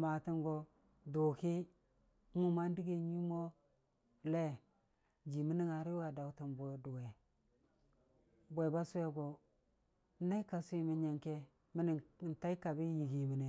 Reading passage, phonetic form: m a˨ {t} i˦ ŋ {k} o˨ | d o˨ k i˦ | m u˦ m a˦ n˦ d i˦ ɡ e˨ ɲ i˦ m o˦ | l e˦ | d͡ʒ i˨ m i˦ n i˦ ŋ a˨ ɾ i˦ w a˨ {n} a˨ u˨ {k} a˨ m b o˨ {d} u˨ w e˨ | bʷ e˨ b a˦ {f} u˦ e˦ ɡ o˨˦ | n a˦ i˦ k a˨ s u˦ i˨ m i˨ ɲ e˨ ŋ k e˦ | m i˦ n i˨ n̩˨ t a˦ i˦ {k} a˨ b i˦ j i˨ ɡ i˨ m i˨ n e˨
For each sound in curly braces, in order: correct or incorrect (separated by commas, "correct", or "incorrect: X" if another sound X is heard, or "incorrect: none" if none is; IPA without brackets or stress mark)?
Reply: correct, incorrect: ɡ, incorrect: d, incorrect: t, correct, incorrect: s, correct